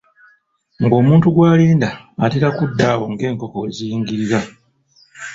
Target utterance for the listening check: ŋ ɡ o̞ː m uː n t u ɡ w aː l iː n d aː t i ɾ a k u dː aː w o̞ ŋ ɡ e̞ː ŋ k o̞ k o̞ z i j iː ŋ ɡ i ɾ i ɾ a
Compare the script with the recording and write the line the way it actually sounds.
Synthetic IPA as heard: ŋ ɡ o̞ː m uː n t u ɡ w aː l iː n d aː t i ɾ a k u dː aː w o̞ ŋ ɡ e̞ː ŋ k o̞ k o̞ z i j iː ŋ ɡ i ɾ i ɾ a